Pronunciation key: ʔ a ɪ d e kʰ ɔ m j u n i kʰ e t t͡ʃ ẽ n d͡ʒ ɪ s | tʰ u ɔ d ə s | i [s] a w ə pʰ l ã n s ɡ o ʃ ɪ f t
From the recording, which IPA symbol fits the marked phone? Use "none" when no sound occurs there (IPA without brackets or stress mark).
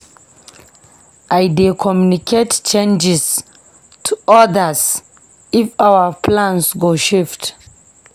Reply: f